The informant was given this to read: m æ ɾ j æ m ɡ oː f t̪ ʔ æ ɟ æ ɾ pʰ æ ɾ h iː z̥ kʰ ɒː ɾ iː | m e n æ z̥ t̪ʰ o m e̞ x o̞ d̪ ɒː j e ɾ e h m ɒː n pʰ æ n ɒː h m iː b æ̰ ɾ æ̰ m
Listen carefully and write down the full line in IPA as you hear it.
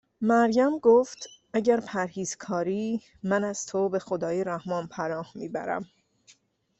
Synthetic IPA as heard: m æ ɾ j æ m ɡ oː f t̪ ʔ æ ɟ æ ɾ pʰ æ ɾ h iː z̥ kʰ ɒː ɾ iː | m æ n æ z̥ t̪ʰ o b e̞ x o̞ d̪ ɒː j e ɾ æ h m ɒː n pʰ æ n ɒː h m iː b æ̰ ɾ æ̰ m